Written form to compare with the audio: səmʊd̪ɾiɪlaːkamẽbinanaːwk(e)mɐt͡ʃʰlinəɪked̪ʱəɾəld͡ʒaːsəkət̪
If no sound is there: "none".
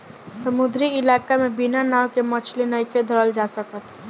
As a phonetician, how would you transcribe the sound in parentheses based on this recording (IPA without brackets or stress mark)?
e